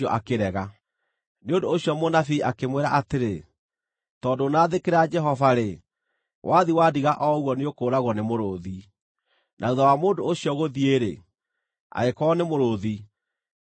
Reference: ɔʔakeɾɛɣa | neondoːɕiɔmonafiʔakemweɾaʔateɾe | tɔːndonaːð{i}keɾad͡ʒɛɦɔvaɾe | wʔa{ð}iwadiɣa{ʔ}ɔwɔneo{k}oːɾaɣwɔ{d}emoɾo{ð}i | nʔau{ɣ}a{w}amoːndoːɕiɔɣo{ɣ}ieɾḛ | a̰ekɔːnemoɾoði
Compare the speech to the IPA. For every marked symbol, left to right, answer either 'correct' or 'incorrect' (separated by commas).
incorrect, correct, correct, correct, incorrect, correct, incorrect, correct, incorrect